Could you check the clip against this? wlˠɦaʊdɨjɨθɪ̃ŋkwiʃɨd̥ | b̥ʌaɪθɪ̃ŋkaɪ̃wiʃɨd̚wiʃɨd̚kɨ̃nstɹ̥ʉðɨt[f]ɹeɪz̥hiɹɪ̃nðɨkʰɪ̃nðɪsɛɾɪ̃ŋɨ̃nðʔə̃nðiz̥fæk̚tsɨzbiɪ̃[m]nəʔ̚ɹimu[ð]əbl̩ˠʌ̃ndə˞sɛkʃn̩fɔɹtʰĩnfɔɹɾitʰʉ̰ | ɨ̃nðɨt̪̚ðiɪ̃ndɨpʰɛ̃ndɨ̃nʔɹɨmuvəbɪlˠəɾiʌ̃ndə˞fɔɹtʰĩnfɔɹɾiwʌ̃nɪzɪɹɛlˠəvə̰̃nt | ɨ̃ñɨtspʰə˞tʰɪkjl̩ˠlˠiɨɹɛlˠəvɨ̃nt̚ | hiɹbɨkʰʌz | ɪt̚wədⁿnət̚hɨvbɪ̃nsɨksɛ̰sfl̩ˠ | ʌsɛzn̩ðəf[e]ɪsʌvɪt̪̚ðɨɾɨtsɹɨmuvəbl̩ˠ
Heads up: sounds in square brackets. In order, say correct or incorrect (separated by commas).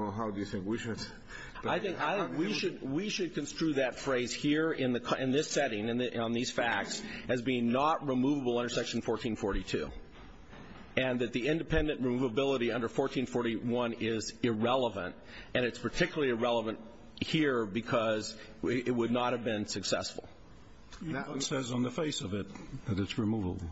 correct, incorrect, incorrect, correct